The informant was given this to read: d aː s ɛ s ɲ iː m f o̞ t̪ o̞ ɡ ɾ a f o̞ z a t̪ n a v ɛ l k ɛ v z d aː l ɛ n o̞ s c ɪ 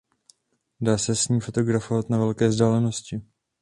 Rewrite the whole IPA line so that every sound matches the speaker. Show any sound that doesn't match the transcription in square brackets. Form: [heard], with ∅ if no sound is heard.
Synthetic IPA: d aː s ɛ s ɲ iː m f o̞ t̪ o̞ ɡ ɾ a f o̞ [v] a t̪ n a v ɛ l k [ɛː] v z d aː l ɛ n o̞ s c ɪ